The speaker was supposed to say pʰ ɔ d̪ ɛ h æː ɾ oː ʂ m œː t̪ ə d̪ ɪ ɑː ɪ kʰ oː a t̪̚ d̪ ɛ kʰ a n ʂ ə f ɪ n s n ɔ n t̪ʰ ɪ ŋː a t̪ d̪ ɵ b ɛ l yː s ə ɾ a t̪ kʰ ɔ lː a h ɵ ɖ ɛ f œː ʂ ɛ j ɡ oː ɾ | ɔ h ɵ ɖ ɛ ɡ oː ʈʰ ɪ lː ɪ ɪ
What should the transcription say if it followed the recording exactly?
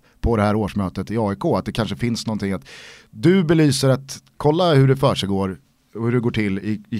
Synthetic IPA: pʰ ɔ d̪ ɛ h æː ɾ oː ʂ m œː t̪ ə t̪ ɪ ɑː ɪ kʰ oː a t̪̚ d̪ ɛ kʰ a n ʂ ə f ɪ n s n ɔ n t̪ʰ ɪ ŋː a t̪ d̪ ɵ b ɛ l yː s ə ɾ a t̪ kʰ ɔ lː a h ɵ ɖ ɛ f œː ʂ ɛ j ɡ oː ɾ | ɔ h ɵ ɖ ɛ ɡ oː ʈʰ ɪ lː ɪ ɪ